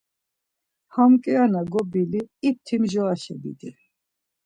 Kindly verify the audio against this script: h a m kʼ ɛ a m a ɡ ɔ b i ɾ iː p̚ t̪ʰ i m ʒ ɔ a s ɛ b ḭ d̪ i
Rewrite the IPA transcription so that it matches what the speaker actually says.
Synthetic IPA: h a m kʼ ɛ a n a ɡ ɔ b i l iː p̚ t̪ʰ i m ʒ ɔ a ʃ ɛ b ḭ d̪ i

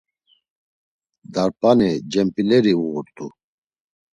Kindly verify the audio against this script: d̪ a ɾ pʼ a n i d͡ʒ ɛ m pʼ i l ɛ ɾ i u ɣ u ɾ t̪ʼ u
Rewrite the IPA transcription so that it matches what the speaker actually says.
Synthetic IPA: d̪ a ɾ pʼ a n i d͡ʒ ɛ m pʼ i l ɛ ɾ i u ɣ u ɾ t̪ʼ u

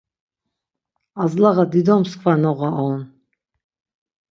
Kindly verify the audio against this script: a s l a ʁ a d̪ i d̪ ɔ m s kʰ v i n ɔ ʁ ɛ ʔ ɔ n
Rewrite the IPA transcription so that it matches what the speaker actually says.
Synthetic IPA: a z l a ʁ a d̪ i d̪ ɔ m s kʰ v a n ɔ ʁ a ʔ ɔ n

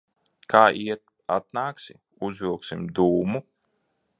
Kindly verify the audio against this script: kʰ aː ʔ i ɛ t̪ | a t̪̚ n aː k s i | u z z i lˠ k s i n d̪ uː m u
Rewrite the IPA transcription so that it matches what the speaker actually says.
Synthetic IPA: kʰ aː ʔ i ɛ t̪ | a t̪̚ n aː k s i | u z v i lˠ k s i m d̪ uː m u

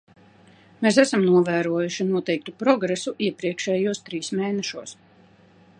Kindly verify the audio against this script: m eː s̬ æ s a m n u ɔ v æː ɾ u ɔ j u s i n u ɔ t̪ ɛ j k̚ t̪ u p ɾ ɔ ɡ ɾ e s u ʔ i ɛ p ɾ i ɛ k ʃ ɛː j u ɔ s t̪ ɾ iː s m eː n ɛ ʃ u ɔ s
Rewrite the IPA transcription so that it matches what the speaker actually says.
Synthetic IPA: m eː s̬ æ s a m n u ɔ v æː ɾ u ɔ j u ʃ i n u ɔ t̪ ɛ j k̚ t̪ u p ɾ ɔ ɡ ɾ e s u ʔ i ɛ p ɾ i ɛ k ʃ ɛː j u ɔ s t̪ ɾ iː s m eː n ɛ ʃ u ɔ s

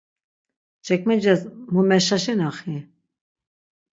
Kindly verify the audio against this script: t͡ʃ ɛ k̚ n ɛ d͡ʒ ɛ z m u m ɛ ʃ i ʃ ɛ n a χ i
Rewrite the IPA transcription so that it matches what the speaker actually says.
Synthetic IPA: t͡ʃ ɛ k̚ m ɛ d͡ʒ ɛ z m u m ɛ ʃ a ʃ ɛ n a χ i

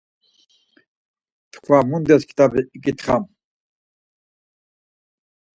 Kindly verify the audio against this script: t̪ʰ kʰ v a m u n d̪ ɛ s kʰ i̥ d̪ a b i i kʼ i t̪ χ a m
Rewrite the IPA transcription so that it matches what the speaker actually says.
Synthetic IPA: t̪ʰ kʰ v a m u n d̪ ɛ s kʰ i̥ t̪ a b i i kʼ i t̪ χ a m

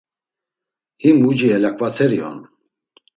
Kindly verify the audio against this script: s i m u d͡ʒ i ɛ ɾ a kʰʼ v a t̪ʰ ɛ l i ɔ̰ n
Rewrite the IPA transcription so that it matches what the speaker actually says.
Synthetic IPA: h i m u d͡ʒ i ɛ l a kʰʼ v a t̪ʰ ɛ ɾ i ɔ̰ n

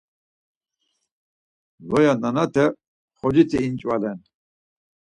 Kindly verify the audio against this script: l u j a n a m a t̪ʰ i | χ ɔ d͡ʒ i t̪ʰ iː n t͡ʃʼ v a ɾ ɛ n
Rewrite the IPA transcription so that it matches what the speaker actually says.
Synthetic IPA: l ɔ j a n a n a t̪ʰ ɛ | χ ɔ d͡ʒ i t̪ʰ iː n t͡ʃʼ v a l ɛ n

